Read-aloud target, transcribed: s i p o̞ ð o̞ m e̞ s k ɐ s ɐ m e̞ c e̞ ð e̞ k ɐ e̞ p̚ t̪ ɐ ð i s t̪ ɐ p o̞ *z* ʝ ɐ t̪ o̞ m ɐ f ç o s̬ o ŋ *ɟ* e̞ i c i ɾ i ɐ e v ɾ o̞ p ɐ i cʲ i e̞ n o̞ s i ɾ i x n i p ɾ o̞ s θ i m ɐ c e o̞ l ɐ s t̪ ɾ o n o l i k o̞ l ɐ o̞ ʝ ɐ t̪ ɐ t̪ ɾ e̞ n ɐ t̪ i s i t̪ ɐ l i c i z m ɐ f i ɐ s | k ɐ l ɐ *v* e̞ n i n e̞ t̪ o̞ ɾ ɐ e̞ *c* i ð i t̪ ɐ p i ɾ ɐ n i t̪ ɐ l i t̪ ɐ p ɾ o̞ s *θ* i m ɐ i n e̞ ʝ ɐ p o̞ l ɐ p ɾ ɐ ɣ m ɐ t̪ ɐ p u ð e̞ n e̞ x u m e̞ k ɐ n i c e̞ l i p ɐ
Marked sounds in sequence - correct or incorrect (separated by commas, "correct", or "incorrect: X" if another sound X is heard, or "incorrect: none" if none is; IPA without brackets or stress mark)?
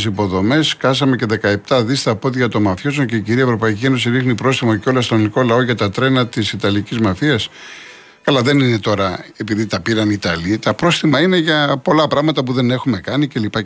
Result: incorrect: ð, incorrect: c, incorrect: ð, incorrect: p, correct